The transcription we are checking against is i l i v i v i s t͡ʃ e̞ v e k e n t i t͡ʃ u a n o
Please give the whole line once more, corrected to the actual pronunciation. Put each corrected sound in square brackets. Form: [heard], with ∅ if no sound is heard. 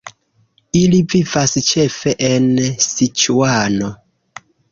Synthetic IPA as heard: i l i v i v [a] s t͡ʃ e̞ [f] e [ʔ] e n [s] i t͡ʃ u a n o